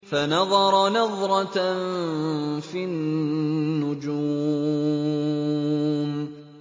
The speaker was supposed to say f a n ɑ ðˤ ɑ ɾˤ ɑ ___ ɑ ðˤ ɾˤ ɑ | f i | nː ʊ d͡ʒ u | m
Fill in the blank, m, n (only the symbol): n